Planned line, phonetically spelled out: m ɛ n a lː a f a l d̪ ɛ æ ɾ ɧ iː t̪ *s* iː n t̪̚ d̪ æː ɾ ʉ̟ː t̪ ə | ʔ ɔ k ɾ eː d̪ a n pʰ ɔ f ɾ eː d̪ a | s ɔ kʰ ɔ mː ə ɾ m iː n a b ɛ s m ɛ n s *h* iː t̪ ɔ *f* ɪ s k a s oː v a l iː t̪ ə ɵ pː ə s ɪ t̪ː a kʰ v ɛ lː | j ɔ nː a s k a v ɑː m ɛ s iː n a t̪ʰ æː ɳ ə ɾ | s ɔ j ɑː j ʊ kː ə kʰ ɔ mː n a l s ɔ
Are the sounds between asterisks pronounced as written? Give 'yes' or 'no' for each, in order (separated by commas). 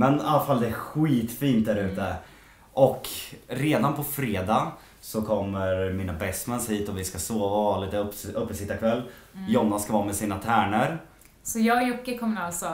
no, yes, no